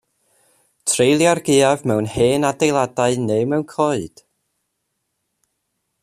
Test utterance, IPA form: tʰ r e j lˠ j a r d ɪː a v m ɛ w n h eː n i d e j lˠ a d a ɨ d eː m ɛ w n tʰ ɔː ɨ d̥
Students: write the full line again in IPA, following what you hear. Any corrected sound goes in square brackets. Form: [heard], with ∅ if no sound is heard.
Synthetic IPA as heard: tʰ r e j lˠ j a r [ɡ] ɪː a v m ɛ w n h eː n [a] d e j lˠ a d a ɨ [n] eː m ɛ w n [kʰ] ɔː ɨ d̥